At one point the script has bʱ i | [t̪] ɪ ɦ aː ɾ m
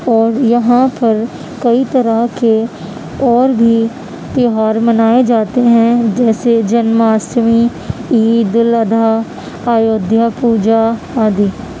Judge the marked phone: correct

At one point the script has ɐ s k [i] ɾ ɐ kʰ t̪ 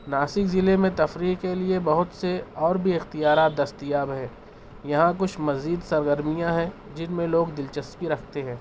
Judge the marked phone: correct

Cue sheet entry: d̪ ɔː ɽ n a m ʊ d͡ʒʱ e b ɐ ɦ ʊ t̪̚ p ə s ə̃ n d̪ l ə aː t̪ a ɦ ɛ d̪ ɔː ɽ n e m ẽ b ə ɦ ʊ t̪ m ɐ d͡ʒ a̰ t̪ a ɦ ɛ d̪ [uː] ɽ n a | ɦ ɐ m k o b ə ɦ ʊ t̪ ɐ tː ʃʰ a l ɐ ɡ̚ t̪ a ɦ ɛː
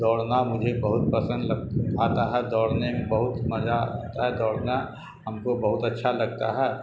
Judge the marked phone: incorrect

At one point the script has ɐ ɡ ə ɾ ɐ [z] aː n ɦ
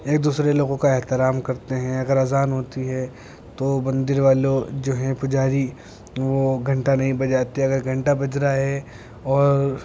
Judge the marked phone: correct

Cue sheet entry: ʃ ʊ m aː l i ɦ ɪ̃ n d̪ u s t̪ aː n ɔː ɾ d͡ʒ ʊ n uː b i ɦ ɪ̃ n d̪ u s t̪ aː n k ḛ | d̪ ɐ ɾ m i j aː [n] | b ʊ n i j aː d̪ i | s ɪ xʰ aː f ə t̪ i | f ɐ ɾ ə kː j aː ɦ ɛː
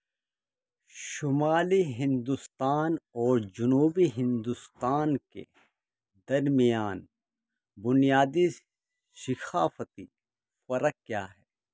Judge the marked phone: correct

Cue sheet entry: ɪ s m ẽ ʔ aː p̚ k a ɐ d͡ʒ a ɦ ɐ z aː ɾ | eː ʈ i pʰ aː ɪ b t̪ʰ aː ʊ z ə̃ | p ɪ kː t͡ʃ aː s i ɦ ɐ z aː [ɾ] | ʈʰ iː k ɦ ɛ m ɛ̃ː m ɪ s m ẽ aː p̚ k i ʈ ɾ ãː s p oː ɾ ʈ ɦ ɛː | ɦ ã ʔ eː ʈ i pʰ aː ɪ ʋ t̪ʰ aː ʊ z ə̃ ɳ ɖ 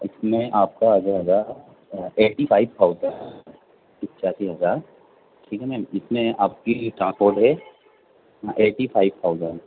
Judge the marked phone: correct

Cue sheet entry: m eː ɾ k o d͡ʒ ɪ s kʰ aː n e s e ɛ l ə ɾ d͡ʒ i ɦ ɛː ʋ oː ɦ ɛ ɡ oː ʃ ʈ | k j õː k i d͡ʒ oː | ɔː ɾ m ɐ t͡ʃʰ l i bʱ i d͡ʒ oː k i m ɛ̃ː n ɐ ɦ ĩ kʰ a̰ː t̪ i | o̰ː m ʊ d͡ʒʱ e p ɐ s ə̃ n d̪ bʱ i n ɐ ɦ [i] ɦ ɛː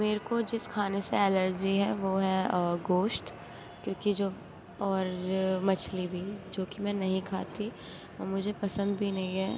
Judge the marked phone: incorrect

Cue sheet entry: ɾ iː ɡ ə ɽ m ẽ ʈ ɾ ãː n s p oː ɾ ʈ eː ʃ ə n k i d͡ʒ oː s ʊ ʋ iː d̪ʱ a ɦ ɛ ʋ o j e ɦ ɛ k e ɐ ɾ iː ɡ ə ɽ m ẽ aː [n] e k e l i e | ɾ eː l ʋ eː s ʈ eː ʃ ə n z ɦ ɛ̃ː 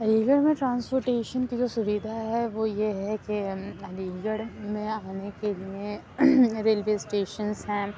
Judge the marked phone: correct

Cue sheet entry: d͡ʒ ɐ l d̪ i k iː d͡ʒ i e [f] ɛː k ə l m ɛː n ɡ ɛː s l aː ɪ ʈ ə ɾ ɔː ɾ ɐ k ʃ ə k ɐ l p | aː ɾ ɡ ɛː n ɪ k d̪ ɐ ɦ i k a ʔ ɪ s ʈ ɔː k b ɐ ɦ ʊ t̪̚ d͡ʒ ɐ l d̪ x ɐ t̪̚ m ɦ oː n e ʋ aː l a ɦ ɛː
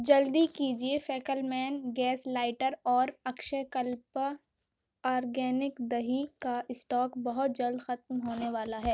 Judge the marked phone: correct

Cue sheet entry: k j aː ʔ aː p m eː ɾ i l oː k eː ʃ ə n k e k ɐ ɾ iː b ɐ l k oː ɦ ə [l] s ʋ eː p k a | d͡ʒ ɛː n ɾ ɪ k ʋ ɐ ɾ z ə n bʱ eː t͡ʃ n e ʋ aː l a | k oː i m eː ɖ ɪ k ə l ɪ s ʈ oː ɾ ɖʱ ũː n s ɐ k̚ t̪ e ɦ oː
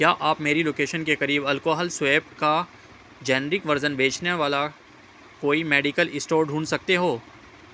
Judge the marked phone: correct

